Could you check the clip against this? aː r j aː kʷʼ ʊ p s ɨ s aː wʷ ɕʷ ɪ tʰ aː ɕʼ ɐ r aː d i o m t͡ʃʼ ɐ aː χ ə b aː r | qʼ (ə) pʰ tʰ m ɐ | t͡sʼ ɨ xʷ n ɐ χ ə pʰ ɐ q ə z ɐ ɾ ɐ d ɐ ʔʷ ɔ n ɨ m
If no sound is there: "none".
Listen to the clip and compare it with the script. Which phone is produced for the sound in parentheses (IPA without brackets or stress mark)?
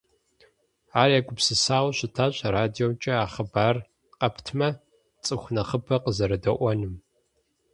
ɐ